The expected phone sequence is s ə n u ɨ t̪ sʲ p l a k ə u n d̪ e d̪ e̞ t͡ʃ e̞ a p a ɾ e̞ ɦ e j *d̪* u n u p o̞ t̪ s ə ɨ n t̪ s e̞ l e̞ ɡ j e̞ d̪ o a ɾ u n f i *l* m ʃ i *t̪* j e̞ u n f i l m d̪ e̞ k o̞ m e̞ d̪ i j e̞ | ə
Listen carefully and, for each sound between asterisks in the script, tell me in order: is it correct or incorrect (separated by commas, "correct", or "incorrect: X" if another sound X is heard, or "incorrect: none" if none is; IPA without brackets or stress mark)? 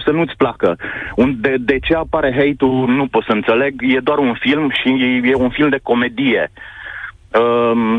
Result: incorrect: t̪, correct, incorrect: none